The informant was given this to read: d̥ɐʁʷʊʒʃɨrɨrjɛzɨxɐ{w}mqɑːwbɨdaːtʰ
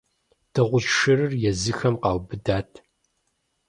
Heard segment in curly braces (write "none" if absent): none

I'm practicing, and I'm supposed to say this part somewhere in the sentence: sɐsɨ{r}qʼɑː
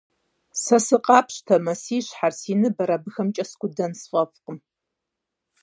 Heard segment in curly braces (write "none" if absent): none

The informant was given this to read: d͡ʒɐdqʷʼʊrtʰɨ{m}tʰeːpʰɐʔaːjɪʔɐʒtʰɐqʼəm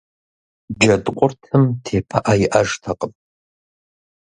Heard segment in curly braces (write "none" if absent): m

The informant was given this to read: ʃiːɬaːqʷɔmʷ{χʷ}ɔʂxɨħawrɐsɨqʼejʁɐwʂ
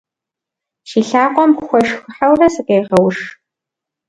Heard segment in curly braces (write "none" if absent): xʷ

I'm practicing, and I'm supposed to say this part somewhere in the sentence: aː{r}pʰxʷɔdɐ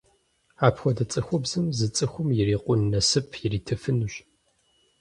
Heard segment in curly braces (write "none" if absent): none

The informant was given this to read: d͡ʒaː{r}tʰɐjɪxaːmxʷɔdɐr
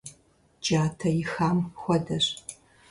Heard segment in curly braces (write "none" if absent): none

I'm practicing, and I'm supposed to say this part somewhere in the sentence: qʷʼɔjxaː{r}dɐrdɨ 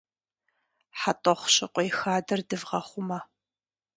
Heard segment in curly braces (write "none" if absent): none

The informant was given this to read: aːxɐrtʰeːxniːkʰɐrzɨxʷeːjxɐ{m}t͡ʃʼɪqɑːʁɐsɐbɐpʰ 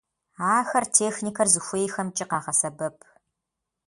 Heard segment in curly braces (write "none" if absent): m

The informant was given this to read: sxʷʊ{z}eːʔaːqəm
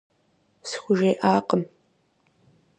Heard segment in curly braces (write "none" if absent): ʒ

